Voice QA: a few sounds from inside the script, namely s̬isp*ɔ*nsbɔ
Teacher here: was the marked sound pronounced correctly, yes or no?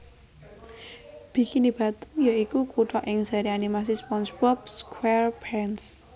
yes